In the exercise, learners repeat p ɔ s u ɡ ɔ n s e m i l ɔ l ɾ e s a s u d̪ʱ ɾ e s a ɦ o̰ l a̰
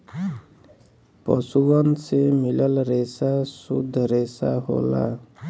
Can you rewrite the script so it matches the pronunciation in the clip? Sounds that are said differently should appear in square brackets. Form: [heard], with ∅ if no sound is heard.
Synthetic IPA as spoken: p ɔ s u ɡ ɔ n s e m i l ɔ l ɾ e s a s u d̪ʱ ɾ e s a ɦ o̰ l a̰